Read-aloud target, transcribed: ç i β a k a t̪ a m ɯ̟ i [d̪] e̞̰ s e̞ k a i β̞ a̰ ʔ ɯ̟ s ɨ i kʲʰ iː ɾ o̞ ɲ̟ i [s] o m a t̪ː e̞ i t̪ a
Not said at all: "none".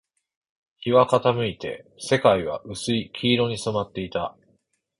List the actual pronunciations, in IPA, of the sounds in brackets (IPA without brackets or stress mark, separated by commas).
t̪, s